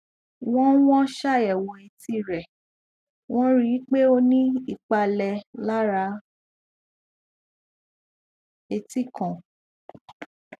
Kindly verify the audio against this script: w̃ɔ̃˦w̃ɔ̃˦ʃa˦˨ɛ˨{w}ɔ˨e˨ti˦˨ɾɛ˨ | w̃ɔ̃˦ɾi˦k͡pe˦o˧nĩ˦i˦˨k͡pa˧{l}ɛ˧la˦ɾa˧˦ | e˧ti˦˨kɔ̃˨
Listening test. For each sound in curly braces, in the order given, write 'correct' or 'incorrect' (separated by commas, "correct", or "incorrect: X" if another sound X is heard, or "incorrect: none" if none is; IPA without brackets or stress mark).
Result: correct, correct